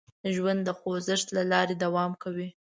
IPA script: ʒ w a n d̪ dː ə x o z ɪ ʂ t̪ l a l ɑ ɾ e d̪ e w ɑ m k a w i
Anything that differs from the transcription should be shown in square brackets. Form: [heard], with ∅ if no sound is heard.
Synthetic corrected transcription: ʒ w a n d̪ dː ə x o z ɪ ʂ t̪ l a l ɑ ɾ e d̪ [a] w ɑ m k a w i